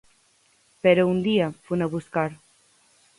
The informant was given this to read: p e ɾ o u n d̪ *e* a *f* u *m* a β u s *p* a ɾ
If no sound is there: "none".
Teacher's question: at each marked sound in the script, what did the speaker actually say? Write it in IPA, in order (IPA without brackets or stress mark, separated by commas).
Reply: i, f, n, k